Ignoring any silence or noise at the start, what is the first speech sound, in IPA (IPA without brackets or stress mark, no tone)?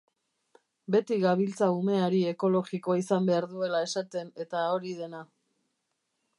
b